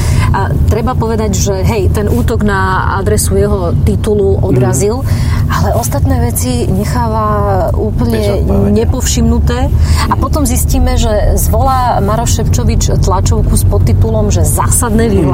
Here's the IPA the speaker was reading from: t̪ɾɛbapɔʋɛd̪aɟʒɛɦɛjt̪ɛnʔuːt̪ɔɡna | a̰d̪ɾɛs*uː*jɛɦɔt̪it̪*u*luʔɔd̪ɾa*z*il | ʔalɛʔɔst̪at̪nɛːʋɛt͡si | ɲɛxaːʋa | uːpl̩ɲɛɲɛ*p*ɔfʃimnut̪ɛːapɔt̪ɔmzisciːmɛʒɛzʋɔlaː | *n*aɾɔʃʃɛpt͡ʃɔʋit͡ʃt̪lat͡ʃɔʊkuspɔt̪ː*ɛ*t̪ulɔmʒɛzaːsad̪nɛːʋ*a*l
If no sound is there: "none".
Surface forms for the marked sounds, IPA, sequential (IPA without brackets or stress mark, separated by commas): u, u, z, p, m, i, i